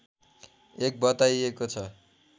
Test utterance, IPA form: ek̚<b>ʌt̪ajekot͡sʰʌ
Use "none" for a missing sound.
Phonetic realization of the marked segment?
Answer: b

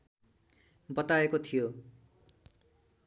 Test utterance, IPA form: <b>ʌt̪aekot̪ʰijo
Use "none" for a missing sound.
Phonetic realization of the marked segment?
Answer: b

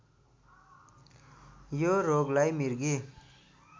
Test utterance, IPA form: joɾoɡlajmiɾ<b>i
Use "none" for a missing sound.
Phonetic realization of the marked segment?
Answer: ɡ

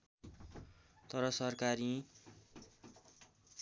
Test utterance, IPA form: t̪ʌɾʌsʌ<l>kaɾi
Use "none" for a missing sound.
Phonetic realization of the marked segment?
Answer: r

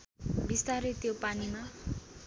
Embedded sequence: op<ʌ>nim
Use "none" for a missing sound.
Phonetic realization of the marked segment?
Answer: a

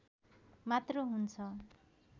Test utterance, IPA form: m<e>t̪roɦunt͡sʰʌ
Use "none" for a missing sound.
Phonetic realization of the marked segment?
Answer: a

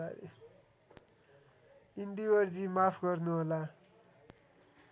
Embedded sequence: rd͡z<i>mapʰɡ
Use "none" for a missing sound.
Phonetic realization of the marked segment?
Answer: i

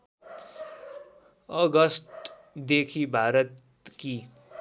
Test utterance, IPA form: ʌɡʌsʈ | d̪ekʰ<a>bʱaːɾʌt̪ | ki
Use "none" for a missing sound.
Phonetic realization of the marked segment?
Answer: i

